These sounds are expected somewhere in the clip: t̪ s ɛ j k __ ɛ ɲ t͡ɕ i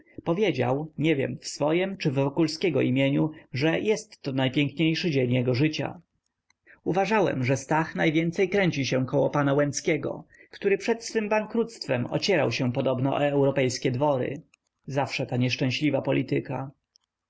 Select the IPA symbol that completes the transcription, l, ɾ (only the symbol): ɾ